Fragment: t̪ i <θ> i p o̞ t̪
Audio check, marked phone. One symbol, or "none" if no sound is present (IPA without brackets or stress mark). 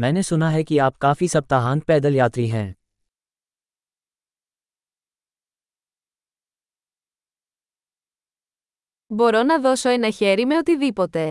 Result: ð